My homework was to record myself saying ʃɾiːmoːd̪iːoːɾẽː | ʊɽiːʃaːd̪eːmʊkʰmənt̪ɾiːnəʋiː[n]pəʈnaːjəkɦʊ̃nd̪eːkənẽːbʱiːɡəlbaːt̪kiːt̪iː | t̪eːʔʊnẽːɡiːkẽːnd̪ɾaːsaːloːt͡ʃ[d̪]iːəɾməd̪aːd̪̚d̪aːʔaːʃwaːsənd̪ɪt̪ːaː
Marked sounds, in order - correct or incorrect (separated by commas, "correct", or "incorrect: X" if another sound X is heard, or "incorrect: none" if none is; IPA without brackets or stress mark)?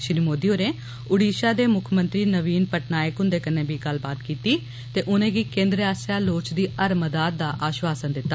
correct, correct